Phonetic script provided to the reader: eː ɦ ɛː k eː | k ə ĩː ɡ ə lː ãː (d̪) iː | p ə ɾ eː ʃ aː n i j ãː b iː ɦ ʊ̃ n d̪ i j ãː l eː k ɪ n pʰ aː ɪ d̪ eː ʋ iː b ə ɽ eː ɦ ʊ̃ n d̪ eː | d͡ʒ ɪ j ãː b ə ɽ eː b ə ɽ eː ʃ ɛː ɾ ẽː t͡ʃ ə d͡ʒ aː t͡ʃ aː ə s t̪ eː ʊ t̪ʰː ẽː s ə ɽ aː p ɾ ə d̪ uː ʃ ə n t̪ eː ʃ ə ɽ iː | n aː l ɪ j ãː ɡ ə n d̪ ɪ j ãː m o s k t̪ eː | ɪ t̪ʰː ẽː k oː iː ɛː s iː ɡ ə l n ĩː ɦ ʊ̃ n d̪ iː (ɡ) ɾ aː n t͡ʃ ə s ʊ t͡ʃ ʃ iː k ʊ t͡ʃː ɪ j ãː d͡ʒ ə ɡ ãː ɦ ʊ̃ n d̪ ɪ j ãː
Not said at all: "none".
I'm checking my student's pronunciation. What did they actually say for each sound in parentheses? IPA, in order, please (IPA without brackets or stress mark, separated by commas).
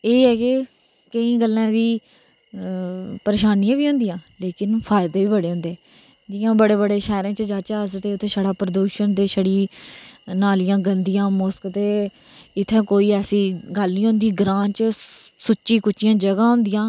d̪, ɡ